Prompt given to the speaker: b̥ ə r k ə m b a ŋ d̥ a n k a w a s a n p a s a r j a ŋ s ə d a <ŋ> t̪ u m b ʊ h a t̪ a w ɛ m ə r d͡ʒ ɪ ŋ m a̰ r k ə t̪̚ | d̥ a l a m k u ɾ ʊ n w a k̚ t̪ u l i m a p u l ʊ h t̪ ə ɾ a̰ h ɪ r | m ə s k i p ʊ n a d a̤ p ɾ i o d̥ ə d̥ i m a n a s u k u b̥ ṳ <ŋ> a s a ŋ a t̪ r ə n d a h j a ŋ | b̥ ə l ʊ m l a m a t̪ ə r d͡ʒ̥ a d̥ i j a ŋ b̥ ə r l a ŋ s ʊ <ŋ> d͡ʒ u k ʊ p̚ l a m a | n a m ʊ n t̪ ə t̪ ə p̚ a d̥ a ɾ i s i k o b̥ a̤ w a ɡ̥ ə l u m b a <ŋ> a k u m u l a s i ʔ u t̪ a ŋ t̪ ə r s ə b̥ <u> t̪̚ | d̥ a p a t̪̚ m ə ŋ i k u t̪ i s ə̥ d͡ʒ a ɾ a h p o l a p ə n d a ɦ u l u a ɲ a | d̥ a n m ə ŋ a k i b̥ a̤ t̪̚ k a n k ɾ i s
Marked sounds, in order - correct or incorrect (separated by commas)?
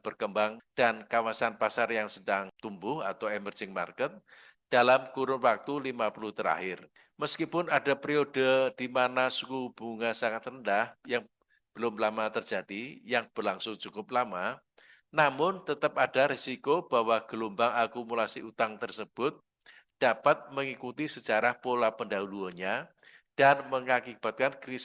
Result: correct, correct, correct, correct, incorrect